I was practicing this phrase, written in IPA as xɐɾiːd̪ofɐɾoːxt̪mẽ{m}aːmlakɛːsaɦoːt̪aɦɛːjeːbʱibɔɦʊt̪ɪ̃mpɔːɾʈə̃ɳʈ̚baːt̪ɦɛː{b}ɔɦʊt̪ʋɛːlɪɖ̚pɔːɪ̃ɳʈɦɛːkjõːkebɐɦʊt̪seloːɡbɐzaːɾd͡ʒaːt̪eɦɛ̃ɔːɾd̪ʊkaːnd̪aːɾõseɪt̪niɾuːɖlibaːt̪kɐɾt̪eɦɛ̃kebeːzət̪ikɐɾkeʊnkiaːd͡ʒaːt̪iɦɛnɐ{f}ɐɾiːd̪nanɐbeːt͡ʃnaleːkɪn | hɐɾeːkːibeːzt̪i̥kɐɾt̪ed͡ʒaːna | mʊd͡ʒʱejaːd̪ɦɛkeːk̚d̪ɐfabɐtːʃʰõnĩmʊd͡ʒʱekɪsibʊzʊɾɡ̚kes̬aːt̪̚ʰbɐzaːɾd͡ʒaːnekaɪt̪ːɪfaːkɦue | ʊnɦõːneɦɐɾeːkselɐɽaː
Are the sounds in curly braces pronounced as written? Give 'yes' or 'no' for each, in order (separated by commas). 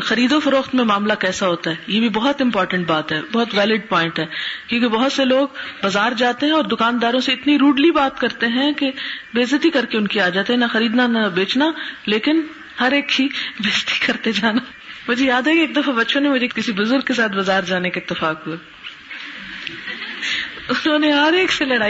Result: yes, yes, no